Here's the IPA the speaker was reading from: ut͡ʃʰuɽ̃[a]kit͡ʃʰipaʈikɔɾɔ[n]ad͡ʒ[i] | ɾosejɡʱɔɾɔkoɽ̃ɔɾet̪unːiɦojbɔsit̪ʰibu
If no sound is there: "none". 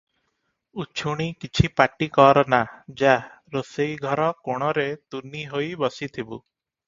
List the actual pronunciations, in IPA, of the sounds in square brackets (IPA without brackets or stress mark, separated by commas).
i, n, a